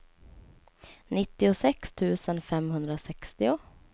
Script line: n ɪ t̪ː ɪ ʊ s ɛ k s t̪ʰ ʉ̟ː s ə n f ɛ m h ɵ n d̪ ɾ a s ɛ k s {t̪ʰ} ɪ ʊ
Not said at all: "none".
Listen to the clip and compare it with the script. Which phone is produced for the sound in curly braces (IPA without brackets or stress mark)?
t̪